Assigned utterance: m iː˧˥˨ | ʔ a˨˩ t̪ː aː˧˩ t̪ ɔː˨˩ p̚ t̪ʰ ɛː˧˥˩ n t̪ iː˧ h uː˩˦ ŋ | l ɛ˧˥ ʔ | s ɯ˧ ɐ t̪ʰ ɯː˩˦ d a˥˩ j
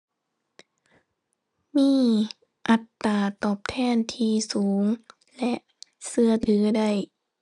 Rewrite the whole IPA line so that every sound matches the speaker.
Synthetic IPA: m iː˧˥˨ | ʔ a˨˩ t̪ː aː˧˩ t̪ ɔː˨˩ p̚ t̪ʰ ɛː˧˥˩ n t̪ʰ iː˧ s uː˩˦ ŋ | l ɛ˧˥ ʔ | s ɯ˧ ɐ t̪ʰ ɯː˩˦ d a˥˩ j